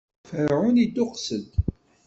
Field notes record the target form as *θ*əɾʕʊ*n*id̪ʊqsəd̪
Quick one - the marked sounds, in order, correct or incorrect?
incorrect, correct

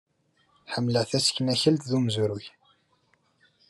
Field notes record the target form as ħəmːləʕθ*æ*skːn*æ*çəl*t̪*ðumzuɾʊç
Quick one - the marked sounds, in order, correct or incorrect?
correct, correct, correct

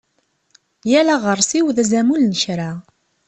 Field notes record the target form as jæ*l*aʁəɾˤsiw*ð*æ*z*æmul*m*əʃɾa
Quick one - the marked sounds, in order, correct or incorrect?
correct, correct, correct, incorrect

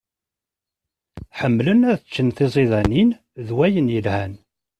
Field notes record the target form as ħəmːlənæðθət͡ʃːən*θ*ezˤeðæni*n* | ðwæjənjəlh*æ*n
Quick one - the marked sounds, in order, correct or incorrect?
correct, correct, correct

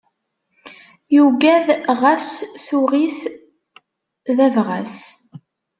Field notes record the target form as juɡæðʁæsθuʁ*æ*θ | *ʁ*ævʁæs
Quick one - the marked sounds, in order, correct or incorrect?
incorrect, incorrect

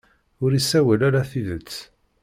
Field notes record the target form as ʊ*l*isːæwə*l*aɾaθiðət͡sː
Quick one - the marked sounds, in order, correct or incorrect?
incorrect, correct

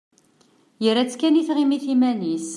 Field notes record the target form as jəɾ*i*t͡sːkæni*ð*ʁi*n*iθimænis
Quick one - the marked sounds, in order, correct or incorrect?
incorrect, incorrect, incorrect

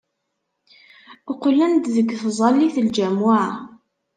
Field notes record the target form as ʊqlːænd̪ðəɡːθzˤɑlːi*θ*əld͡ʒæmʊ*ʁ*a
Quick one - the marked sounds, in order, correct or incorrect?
correct, incorrect

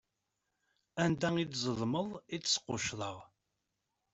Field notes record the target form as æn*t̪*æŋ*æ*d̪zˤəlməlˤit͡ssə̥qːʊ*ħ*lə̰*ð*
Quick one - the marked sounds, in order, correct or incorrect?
incorrect, incorrect, incorrect, incorrect

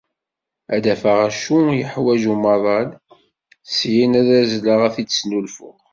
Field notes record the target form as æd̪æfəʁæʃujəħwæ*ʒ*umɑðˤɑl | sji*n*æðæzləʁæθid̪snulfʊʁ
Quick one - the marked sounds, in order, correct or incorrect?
correct, correct

